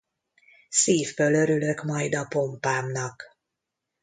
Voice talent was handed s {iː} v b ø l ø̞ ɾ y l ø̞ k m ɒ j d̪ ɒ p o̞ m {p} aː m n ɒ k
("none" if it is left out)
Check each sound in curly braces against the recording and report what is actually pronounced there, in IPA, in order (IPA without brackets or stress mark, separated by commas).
iː, p